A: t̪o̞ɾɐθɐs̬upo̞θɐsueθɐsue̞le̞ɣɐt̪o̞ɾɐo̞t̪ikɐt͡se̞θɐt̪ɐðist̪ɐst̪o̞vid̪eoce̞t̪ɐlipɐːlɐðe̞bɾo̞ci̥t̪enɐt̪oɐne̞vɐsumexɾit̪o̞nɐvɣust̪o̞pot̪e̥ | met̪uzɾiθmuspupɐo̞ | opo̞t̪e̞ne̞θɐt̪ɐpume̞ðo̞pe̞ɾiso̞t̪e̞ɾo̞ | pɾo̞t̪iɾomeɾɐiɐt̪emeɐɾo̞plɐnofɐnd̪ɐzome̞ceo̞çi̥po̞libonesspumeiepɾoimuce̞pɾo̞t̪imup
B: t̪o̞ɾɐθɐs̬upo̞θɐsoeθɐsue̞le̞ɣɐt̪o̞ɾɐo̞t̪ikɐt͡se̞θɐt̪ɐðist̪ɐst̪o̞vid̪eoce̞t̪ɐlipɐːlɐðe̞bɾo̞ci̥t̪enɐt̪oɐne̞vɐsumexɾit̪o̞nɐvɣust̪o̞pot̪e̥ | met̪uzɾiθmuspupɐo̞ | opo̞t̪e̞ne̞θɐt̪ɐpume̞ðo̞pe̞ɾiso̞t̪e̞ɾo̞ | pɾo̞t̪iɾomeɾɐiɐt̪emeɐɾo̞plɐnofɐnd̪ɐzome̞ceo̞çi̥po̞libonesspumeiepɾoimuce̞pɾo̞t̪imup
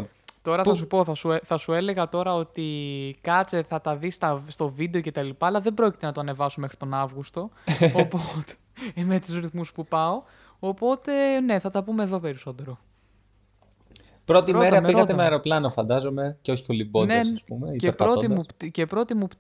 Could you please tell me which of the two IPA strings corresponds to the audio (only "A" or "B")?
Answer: A